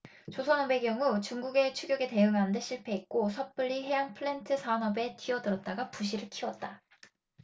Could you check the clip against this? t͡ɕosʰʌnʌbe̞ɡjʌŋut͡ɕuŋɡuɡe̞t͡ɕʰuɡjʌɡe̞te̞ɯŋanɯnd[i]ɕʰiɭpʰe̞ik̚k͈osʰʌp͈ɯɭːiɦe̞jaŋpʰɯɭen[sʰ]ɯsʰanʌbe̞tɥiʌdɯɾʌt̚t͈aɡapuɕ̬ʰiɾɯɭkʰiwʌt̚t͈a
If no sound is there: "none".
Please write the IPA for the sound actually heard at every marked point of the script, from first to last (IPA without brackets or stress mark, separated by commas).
e, tʰ